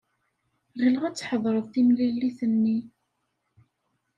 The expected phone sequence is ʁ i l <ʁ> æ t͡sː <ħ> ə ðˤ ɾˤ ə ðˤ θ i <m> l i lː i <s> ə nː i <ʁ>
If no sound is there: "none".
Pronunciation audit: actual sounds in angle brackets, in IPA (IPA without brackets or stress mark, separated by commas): ʁ, ħ, m, θ, none